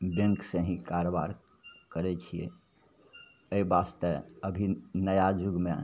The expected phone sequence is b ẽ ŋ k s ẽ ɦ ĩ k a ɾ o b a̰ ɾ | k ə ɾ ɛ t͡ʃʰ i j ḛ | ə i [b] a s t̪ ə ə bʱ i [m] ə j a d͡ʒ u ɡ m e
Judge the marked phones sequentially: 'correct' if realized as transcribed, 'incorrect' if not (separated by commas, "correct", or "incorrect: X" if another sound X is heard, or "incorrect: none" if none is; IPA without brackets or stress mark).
correct, incorrect: n